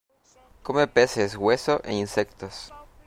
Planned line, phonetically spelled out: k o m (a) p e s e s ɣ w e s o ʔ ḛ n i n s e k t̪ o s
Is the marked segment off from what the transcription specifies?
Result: yes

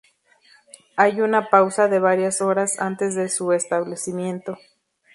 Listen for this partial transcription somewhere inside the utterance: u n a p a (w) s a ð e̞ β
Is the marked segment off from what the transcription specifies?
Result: no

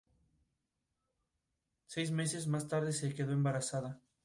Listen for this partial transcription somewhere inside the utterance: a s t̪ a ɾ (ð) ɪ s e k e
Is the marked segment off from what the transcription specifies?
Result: no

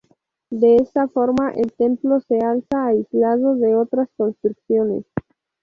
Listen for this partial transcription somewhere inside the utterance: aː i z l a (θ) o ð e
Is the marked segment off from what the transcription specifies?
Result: yes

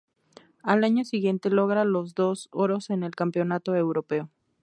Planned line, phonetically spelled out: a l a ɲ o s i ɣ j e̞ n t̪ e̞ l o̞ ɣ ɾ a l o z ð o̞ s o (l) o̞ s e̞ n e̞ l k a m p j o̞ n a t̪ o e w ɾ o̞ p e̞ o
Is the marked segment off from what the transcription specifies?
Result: yes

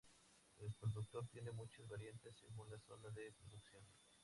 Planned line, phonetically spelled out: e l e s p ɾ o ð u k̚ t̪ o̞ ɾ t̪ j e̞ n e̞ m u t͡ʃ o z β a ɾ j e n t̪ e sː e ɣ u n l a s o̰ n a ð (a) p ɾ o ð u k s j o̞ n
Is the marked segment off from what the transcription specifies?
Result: yes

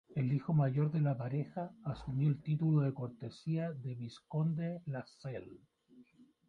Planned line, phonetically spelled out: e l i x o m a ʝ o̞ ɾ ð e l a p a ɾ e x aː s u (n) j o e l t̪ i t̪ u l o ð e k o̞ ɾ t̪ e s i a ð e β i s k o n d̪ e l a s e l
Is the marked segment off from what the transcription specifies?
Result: yes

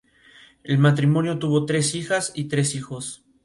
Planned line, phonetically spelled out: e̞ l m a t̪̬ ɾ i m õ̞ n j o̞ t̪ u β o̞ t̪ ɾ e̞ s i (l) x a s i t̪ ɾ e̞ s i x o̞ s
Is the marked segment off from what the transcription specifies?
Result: yes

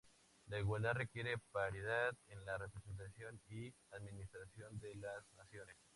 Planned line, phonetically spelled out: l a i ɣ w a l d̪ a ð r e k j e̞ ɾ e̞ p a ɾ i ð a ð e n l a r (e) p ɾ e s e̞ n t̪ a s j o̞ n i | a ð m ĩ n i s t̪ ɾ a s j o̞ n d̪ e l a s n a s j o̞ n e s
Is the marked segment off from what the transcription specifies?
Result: no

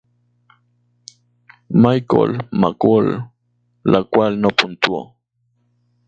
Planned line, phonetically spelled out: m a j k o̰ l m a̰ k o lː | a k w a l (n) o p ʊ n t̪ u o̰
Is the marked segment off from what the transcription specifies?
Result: no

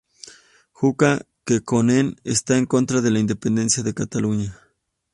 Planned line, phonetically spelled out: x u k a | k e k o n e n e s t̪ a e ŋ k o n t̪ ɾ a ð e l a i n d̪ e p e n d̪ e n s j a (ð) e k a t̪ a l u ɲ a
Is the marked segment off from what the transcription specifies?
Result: no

